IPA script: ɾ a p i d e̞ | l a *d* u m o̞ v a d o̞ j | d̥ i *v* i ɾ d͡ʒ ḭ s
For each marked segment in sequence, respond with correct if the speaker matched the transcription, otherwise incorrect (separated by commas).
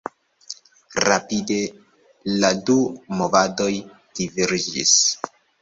correct, correct